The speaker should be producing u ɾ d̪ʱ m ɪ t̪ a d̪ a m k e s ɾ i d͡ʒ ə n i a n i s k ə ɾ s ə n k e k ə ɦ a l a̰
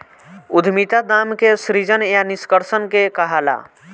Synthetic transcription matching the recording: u d̪ʱ m i t̪ a d̪ a m k e s ɾ i d͡ʒ ə n j a n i s k ə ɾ s ə n k e k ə ɦ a l a̰